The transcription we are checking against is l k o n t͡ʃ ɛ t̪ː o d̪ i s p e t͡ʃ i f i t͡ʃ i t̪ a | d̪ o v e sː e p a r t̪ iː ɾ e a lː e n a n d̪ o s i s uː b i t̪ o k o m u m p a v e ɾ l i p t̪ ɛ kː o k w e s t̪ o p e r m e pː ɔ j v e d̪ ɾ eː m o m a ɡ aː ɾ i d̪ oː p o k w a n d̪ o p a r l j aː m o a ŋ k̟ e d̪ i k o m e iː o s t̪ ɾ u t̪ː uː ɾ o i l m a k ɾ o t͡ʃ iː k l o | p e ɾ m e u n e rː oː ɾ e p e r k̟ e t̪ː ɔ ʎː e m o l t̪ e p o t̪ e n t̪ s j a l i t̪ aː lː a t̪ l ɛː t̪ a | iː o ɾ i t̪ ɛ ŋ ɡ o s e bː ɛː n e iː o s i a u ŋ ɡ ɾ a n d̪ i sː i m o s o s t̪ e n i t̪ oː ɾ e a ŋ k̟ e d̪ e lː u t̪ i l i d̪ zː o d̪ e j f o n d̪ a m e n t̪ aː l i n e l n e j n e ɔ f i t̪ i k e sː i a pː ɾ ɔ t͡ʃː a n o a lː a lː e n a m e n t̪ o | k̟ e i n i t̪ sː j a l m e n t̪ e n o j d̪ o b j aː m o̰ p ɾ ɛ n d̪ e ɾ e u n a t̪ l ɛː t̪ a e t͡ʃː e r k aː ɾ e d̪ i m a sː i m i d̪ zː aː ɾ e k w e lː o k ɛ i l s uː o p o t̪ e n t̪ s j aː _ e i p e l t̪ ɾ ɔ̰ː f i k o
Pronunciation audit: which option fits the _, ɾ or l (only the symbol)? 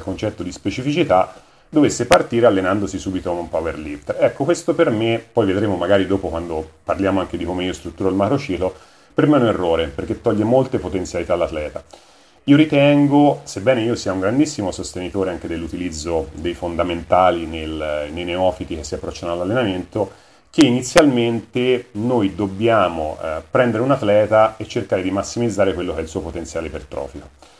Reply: l